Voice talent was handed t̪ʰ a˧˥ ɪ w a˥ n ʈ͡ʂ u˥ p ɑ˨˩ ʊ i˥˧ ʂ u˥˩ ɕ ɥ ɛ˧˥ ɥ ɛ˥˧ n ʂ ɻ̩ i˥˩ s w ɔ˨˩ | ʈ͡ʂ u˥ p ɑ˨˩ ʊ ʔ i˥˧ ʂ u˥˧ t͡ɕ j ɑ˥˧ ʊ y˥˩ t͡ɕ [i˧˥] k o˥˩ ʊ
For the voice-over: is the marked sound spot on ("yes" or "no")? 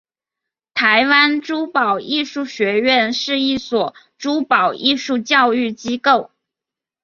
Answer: no